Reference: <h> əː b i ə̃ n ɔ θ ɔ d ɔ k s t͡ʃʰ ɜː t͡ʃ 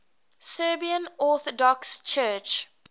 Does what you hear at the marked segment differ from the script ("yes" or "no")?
yes